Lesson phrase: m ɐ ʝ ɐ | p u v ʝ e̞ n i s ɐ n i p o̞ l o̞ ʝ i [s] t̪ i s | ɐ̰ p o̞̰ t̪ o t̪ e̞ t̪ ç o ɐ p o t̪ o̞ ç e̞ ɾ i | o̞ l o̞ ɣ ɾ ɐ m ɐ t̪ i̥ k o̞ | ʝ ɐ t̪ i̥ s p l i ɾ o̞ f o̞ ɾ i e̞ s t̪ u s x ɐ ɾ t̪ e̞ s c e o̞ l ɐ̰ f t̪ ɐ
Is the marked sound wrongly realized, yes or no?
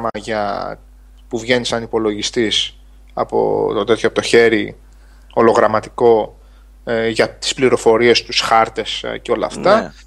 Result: no